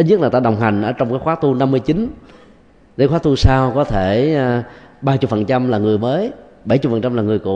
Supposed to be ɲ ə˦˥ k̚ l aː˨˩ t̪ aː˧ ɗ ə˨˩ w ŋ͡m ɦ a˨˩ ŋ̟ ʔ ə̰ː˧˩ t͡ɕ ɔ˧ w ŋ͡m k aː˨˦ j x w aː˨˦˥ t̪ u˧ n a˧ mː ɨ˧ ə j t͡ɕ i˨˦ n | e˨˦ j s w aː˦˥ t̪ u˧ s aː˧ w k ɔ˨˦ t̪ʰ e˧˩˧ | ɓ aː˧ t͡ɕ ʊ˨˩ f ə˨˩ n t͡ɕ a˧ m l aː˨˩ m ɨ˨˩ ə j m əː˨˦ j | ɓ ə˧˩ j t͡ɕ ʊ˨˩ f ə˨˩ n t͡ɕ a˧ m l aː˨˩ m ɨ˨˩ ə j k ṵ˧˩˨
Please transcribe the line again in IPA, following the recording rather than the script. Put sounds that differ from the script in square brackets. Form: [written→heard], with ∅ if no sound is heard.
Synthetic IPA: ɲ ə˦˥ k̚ l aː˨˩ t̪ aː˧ ɗ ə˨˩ w ŋ͡m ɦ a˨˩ ŋ̟ ʔ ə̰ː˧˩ t͡ɕ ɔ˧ w ŋ͡m k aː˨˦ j x w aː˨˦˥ t̪ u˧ n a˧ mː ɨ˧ ə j t͡ɕ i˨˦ n | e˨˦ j [s→x] w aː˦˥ t̪ u˧ s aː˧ w k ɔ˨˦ t̪ʰ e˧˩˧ | ɓ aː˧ t͡ɕ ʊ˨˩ f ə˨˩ n t͡ɕ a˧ m l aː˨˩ [m→ŋ] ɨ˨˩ ə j m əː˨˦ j | ɓ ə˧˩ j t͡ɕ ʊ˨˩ f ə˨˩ n t͡ɕ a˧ m l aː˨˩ [m→ŋ] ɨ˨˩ ə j k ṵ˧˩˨